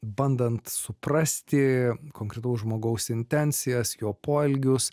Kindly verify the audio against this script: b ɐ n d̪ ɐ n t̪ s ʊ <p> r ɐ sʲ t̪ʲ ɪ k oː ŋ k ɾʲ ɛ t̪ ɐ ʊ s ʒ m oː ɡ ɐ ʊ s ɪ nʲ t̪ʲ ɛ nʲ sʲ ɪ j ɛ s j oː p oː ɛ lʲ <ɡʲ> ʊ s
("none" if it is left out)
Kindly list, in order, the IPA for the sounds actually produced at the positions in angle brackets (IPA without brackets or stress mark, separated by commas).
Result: p, ɡʲ